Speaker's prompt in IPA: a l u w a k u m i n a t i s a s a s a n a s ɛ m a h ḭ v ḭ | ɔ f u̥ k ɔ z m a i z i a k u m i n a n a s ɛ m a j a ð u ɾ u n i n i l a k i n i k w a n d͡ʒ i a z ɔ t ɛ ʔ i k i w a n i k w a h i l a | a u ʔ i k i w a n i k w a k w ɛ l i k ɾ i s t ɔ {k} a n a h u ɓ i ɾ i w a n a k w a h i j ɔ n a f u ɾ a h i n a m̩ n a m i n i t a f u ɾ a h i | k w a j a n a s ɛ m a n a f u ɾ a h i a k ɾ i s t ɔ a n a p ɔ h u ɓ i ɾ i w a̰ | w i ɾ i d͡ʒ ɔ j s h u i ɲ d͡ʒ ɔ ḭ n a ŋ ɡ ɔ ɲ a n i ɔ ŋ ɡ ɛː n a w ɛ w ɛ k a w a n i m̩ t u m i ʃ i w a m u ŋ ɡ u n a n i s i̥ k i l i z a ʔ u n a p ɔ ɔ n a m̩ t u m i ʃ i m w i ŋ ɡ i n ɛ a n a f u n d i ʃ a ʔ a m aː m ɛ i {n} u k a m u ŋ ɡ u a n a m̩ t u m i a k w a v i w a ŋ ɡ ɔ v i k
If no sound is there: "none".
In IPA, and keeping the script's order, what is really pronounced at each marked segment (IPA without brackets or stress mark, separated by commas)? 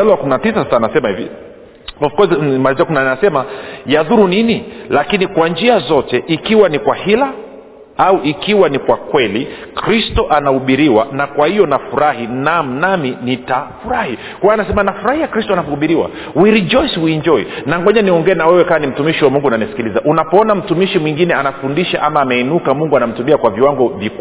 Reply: ʔ, n